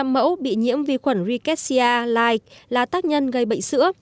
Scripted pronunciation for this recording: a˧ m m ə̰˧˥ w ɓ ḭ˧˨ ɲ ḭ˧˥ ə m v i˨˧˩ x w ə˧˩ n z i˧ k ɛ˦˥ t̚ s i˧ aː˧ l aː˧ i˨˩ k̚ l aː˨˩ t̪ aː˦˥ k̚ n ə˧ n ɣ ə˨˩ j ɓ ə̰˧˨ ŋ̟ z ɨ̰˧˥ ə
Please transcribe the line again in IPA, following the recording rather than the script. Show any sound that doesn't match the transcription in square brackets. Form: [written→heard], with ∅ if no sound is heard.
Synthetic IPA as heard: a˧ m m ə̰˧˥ w ɓ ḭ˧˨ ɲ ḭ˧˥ ə m v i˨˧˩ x w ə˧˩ n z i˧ k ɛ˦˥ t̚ s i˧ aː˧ l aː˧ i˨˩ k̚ l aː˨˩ t̪ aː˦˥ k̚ [n→ɲ] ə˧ n ɣ ə˨˩ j ɓ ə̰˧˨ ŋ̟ [z→s] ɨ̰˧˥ ə